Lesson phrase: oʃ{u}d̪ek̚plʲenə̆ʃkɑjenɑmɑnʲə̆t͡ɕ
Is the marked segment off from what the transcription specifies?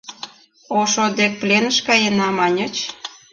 yes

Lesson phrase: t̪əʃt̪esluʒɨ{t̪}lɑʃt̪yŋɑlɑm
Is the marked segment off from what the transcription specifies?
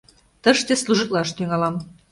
no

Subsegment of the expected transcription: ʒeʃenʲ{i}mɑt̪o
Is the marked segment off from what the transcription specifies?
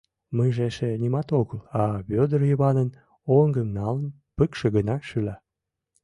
no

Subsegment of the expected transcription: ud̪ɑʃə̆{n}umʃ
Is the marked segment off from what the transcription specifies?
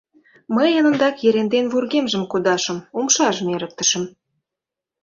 yes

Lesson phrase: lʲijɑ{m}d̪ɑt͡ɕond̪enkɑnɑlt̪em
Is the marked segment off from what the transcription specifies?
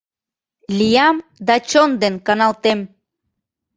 no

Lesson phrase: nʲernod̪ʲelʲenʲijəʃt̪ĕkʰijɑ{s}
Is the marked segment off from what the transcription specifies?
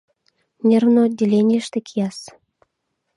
no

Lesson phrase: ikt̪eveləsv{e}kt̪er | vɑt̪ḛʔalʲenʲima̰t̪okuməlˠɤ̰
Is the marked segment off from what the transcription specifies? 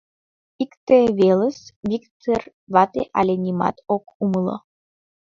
yes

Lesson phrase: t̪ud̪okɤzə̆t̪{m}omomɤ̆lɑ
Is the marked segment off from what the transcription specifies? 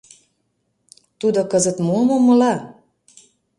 no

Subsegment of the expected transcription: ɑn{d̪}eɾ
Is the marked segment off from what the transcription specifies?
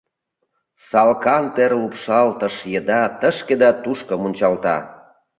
yes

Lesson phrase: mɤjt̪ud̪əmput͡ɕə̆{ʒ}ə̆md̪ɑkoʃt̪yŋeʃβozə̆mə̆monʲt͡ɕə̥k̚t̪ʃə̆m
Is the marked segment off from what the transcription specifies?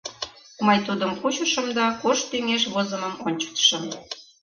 yes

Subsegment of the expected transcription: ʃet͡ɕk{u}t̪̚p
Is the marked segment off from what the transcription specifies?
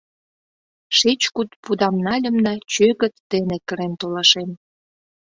no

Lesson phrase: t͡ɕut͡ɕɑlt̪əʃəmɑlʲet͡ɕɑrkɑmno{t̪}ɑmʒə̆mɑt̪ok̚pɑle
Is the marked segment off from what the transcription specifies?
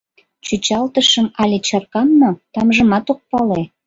no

